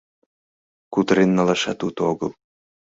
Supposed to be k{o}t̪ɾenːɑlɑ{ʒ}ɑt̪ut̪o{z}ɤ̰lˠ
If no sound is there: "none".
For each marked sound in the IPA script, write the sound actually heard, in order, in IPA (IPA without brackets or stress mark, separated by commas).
u, ʃ, ɣ